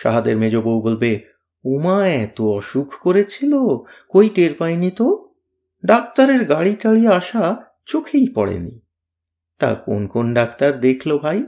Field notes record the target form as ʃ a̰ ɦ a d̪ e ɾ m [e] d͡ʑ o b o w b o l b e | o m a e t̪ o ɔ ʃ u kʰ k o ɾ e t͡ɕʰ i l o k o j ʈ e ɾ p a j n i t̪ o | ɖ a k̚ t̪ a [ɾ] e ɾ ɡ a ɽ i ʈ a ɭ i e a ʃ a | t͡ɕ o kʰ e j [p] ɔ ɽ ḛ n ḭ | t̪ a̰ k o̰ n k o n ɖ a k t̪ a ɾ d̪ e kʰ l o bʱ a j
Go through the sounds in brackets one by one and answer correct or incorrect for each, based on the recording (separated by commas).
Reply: correct, correct, correct